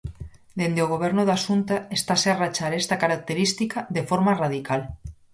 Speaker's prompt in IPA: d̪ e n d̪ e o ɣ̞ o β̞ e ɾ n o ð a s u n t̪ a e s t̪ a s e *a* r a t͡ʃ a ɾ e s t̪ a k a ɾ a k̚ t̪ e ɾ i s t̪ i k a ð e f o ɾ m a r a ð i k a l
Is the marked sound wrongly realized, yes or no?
no